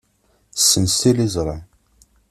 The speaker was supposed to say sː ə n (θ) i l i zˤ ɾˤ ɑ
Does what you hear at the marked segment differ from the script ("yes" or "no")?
yes